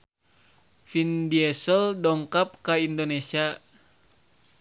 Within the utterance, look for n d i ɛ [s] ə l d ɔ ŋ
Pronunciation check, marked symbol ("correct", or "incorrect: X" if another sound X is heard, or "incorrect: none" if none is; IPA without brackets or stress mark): correct